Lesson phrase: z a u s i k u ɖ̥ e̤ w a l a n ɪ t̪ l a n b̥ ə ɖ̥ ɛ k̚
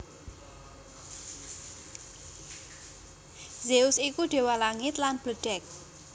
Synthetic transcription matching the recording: z e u s i k u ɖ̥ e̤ w a l a ŋ ɪ t̪ l a n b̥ ə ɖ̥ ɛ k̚